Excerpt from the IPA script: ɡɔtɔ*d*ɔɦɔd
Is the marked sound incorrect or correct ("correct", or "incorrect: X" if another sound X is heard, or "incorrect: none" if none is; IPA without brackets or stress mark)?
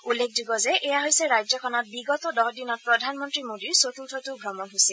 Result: correct